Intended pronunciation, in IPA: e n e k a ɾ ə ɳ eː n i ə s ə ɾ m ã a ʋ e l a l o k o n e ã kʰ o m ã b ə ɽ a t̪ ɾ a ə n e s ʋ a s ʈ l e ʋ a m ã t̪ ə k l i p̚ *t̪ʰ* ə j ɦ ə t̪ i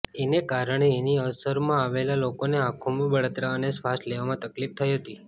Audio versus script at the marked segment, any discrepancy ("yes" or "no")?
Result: no